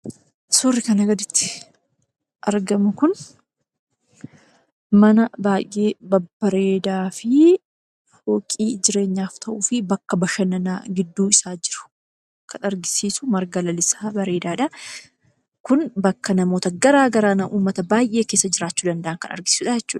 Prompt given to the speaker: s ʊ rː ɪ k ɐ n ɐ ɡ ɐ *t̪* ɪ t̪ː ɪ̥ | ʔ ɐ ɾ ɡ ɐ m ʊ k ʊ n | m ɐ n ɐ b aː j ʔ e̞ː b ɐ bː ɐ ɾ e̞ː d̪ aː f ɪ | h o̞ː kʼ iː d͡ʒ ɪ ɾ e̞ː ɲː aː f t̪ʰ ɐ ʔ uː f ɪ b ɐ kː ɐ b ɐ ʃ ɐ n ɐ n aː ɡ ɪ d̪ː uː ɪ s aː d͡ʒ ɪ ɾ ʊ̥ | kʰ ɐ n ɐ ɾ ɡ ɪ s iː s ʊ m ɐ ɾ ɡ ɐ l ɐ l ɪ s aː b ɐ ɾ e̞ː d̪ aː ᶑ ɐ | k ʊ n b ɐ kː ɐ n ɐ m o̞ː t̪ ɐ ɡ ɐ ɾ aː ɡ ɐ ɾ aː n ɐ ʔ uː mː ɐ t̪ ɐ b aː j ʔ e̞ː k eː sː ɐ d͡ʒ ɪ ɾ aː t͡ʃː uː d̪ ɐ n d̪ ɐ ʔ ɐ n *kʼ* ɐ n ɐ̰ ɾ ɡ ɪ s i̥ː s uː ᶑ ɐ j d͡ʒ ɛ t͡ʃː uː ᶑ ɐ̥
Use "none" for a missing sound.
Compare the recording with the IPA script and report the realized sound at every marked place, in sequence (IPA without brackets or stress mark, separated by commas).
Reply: d̪, k